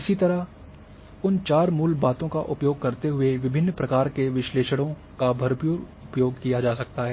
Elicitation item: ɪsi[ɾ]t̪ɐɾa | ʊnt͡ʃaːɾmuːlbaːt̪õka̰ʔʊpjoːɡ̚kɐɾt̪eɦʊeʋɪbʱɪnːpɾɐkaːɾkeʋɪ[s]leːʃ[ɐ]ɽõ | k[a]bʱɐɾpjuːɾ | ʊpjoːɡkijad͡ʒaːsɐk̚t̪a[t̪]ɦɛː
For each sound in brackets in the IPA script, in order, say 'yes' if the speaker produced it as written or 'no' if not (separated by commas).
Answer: no, no, no, yes, no